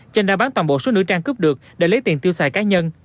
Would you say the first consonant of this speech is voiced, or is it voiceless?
voiceless